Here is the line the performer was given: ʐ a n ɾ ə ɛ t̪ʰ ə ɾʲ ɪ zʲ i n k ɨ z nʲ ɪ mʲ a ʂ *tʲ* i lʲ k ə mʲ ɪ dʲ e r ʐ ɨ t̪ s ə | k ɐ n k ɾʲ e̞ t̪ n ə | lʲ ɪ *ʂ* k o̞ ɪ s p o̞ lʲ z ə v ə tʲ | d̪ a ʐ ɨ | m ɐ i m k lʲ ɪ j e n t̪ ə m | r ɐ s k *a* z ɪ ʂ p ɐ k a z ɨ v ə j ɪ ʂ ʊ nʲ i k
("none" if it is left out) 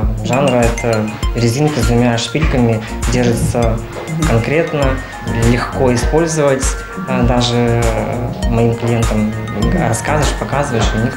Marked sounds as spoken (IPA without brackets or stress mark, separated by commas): pʲ, x, a